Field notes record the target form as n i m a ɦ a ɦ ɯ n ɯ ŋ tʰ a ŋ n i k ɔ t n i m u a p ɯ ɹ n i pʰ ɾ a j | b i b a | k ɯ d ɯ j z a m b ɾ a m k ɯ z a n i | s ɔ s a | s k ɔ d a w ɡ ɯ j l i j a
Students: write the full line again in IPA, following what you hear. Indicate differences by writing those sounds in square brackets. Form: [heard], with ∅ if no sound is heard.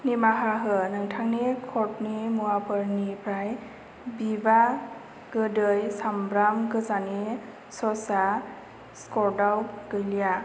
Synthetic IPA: n i m a ɦ a ɦ ɯ n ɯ ŋ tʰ a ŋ n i [kʰ] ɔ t n i m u a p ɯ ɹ n i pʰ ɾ a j | b i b a | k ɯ d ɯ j [s] a m b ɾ a m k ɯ z a n i | s ɔ s a | s k ɔ d a w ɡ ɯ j l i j a